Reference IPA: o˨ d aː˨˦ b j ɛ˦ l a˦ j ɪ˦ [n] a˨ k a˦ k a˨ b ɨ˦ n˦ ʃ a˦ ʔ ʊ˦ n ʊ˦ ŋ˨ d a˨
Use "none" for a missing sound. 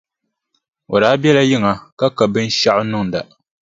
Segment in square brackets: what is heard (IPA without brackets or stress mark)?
ŋ